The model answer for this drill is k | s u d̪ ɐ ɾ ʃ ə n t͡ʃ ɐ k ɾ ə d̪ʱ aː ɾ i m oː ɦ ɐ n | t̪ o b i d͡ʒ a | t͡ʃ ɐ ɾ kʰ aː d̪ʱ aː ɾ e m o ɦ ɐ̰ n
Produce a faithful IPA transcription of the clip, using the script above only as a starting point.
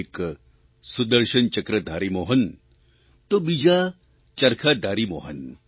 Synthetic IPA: k | s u d̪ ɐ ɾ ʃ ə n t͡ʃ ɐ k ɾ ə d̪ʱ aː ɾ i m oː ɦ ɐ n | t̪ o b i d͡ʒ a | t͡ʃ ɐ ɾ kʰ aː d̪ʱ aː ɾ i m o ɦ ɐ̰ n